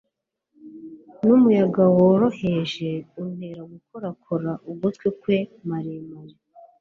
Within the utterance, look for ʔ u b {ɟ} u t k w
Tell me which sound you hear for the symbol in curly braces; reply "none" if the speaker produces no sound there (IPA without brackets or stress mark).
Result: ɡ